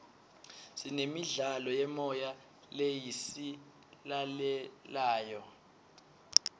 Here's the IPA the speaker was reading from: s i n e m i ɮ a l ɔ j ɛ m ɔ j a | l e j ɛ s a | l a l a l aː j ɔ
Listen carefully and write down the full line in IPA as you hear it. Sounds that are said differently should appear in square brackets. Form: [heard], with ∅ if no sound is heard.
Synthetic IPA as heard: s i n e m i ɮ a l ɔ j ɛ m ɔ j a | l e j [i] s [i] | l a l [ɛ] l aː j ɔ